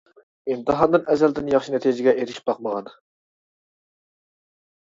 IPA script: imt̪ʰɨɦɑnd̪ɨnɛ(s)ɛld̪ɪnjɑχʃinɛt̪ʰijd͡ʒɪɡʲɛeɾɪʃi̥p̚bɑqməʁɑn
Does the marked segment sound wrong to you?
yes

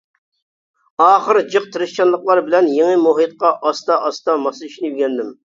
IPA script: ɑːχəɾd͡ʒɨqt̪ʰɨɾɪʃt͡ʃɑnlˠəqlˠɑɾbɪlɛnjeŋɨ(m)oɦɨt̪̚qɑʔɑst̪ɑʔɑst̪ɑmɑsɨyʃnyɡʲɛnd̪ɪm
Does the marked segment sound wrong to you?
no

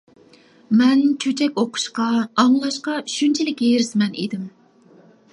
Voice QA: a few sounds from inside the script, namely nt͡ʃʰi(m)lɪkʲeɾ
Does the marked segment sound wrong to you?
yes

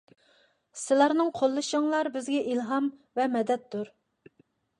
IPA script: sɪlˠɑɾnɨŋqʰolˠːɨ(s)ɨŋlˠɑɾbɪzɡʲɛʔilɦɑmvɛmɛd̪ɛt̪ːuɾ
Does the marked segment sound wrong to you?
yes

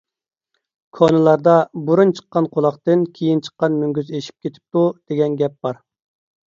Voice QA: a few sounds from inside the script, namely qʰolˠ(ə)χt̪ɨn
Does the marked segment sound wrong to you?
yes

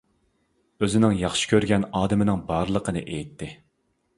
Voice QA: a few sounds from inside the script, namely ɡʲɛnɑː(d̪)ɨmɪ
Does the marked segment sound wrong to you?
no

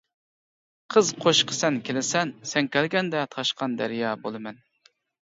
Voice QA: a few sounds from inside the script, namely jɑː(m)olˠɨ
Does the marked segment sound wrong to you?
yes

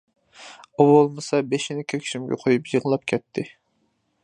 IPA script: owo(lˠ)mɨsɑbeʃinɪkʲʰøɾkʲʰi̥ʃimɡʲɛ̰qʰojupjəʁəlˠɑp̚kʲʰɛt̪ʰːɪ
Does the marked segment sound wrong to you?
no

